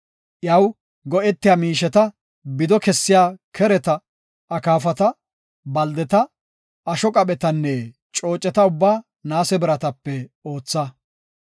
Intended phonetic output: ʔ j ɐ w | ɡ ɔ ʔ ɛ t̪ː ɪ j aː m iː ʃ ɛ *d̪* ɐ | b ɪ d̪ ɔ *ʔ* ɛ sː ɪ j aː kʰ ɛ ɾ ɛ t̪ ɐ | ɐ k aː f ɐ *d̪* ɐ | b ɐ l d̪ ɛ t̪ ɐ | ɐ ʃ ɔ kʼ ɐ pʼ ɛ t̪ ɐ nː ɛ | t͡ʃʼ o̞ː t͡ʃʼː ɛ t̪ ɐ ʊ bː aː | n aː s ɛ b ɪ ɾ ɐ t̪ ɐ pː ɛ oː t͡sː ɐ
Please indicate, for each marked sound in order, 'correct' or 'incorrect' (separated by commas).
incorrect, incorrect, incorrect